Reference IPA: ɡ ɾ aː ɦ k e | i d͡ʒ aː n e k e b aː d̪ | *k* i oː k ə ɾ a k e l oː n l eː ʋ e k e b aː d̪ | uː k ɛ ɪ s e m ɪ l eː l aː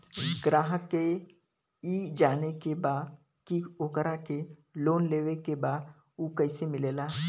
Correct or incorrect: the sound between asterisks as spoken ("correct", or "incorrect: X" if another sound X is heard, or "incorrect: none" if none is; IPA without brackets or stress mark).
correct